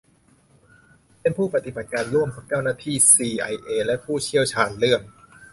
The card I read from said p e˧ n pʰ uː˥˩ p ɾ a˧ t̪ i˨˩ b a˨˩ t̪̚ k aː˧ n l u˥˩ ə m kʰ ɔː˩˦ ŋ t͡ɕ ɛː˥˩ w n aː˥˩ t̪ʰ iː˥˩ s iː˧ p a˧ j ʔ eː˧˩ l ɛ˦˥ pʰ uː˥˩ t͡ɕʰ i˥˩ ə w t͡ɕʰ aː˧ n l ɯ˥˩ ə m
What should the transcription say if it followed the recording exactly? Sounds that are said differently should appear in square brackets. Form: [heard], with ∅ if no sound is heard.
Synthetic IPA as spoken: p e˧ n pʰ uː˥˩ p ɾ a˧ t̪ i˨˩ b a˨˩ t̪̚ k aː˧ n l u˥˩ ə m kʰ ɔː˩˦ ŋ t͡ɕ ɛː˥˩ w n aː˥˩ t̪ʰ iː˥˩ s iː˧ [ʔ] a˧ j ʔ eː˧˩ l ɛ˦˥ pʰ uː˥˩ t͡ɕʰ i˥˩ ə w t͡ɕʰ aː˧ n l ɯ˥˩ ə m